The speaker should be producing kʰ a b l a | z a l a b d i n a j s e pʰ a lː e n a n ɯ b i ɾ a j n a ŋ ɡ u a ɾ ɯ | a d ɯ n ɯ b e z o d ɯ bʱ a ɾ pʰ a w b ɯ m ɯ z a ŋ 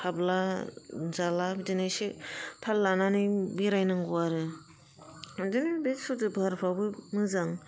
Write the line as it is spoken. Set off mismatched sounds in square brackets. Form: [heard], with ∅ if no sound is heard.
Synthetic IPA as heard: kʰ a b l a | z a l a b d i n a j s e pʰ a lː [a] n a n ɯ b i ɾ a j n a ŋ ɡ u a ɾ ɯ | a d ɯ n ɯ b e [s] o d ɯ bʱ a ɾ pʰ a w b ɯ m ɯ z a ŋ